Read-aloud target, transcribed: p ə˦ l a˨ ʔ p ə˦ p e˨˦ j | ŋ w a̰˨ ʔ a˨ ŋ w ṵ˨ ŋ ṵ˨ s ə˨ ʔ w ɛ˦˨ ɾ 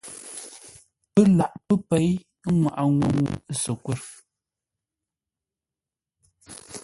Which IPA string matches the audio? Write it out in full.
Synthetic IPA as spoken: p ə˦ l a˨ ʔ p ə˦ p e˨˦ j | ŋ w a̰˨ ʔ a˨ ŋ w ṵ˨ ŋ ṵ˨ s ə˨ k w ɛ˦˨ ɾ